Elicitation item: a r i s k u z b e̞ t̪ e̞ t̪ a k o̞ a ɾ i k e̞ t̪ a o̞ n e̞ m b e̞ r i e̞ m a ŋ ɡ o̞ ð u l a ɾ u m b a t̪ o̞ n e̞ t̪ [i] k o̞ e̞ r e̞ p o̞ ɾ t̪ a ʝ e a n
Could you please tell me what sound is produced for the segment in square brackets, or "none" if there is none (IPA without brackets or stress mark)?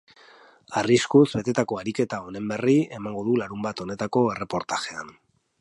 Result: a